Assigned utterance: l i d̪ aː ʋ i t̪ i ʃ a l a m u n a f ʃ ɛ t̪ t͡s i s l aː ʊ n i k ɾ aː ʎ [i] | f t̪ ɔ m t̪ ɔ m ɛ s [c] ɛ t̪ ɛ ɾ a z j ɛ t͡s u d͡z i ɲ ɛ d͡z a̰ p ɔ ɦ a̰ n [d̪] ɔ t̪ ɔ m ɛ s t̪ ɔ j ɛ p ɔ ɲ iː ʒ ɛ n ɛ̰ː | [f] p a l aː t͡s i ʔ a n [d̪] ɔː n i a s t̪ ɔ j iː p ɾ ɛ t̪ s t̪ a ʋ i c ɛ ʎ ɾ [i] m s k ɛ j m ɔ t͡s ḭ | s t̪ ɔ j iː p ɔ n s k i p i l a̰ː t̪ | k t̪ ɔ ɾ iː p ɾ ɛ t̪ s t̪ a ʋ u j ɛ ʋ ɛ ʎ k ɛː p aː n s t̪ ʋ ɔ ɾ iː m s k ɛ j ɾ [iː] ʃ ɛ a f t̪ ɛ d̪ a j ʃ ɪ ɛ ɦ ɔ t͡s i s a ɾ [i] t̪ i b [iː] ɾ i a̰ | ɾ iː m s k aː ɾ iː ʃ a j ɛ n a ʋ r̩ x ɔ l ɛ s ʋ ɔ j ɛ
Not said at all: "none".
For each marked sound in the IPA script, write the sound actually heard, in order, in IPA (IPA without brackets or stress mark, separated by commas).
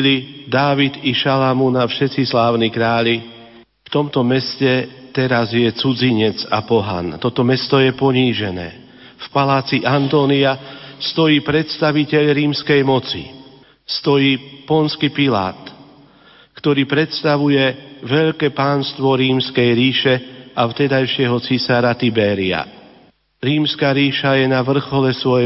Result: i, c, t̪, f, t̪, iː, iː, a, ɛː